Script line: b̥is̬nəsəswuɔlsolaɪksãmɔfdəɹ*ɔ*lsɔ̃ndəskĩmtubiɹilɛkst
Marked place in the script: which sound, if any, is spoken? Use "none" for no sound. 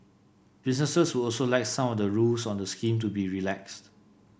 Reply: u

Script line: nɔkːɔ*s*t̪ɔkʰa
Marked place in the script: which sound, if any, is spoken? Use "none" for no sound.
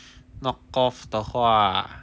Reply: f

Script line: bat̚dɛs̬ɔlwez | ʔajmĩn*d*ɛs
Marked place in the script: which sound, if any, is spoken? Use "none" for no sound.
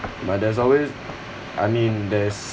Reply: d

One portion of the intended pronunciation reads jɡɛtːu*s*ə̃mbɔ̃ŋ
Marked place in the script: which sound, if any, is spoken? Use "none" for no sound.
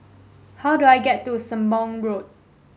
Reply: s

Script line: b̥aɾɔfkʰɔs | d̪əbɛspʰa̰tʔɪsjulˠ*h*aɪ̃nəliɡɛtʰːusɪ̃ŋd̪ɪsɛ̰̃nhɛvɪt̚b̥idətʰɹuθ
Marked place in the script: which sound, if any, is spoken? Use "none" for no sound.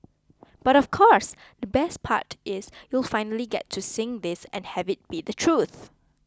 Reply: f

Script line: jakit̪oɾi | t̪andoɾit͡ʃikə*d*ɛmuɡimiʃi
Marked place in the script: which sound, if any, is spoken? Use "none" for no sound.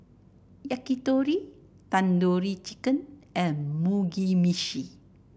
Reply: n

